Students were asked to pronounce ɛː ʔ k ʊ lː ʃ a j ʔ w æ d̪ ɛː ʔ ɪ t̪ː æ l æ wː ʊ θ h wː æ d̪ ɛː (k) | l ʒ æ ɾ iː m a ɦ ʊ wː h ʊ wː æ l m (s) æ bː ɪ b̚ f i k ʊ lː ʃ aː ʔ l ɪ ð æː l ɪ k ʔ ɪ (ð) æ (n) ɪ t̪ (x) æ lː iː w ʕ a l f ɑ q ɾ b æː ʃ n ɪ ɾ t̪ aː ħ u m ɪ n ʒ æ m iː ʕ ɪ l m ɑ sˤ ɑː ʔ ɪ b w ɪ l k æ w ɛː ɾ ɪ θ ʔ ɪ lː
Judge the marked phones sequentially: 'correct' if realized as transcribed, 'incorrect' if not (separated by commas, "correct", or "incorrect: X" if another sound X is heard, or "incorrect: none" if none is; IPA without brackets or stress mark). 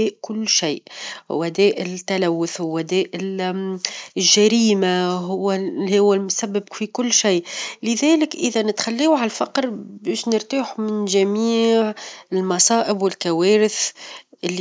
incorrect: ʔ, correct, correct, correct, correct